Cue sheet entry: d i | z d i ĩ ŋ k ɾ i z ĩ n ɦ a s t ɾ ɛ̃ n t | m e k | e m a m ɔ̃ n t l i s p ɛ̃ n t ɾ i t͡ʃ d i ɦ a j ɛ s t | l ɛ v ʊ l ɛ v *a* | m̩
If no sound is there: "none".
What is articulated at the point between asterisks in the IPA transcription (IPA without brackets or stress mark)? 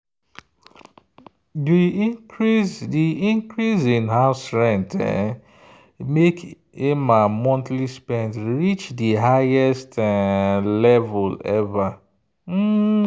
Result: a